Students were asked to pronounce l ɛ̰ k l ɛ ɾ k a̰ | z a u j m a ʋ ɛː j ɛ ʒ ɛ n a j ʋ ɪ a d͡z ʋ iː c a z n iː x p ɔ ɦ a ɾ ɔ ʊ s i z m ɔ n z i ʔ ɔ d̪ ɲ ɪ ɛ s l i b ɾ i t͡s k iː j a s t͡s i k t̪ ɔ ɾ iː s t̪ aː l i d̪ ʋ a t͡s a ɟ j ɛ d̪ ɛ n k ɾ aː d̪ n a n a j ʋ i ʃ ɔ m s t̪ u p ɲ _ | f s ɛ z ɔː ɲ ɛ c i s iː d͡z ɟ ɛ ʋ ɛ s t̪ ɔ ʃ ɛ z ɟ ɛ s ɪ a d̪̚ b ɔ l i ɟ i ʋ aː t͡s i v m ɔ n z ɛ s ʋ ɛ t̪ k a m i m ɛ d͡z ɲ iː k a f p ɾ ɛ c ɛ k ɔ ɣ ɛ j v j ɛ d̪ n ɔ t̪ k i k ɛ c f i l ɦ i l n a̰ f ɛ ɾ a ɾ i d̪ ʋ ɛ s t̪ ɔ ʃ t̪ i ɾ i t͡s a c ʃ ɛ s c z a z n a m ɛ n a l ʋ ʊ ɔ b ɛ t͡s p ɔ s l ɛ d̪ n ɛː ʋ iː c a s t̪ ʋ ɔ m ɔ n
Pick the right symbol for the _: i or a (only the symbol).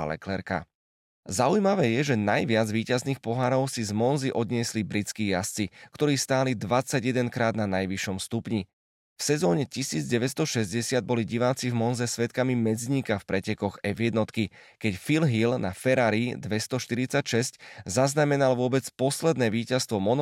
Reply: i